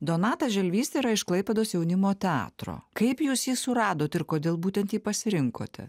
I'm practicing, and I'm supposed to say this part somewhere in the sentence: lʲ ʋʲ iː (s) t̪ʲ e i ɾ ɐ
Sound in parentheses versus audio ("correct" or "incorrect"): correct